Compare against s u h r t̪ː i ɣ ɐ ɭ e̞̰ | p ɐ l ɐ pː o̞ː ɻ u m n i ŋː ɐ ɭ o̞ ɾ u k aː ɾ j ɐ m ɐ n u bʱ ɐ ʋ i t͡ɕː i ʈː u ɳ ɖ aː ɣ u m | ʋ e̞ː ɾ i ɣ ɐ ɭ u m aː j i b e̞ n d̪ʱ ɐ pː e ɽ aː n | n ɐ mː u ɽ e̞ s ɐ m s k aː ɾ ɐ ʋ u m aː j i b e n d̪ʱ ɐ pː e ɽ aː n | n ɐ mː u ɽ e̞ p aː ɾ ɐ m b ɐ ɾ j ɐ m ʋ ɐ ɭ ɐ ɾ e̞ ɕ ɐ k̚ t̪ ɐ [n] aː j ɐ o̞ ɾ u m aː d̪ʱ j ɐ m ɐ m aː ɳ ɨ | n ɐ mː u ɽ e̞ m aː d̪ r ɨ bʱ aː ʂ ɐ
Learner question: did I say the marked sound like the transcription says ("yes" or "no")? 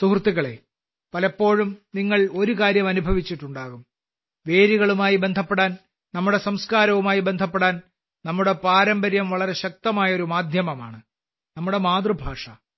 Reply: no